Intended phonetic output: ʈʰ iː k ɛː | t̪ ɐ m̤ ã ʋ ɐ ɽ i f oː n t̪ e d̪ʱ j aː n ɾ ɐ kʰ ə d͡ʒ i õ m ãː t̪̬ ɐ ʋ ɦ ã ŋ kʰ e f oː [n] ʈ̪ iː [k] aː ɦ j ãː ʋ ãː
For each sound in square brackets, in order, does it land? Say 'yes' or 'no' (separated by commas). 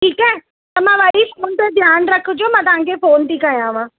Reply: yes, yes